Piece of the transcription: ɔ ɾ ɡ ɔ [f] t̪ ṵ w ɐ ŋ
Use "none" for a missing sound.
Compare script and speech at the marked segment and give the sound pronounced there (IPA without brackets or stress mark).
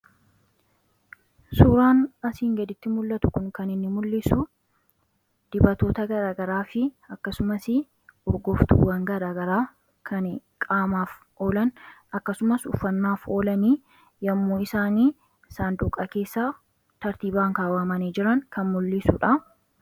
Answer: f